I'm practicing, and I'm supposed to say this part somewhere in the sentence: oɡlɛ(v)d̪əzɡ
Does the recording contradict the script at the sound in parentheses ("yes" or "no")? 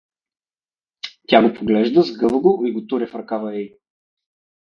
yes